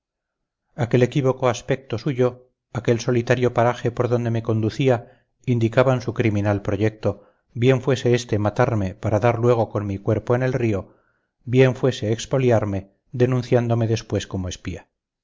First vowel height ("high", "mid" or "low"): low